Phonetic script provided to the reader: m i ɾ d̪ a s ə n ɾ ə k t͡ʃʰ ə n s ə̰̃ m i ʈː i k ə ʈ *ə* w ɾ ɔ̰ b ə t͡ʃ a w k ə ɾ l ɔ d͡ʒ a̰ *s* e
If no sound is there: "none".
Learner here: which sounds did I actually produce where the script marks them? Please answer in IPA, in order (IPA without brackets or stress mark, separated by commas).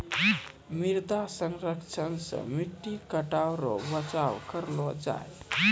a, none